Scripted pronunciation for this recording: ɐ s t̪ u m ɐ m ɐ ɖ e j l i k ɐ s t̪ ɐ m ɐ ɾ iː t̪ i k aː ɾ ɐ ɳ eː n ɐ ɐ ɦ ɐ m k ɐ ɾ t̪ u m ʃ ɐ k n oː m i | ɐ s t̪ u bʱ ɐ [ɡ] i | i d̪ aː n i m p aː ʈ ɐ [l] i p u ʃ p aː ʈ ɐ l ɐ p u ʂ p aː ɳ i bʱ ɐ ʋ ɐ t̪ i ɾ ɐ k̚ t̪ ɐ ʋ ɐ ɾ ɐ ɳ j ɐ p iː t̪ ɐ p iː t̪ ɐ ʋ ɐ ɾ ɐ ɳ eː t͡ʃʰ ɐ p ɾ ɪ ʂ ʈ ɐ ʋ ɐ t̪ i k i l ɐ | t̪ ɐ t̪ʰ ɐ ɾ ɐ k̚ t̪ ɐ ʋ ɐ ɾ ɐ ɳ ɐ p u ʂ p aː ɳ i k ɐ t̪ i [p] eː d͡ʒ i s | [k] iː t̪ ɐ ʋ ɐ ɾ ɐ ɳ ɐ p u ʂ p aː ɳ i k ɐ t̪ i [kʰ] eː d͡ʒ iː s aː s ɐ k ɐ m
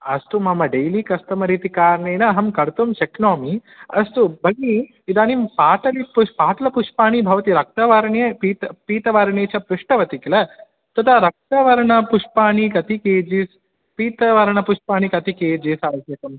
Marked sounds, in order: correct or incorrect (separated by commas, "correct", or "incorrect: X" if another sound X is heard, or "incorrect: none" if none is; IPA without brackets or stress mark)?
correct, correct, incorrect: k, incorrect: p, incorrect: k